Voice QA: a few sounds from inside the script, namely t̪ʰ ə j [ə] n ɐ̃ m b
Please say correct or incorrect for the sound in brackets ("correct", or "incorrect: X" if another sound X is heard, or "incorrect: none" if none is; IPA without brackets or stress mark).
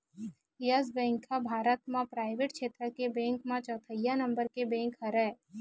incorrect: a